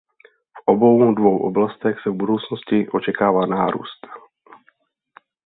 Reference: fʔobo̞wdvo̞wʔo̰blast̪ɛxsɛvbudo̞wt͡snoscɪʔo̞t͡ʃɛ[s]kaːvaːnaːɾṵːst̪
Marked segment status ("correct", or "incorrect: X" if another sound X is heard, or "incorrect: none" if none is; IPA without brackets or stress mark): incorrect: none